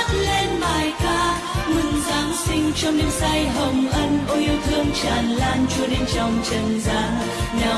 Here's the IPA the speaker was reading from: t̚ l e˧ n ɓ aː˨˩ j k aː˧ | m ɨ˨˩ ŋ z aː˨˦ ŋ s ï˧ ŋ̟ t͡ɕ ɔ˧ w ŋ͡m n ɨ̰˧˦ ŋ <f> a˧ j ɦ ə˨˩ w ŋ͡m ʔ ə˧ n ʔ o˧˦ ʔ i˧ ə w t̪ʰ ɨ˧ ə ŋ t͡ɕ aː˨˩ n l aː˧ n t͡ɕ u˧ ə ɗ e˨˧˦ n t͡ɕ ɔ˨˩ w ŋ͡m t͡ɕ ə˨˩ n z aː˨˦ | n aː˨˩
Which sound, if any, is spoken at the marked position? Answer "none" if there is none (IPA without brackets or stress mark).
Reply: s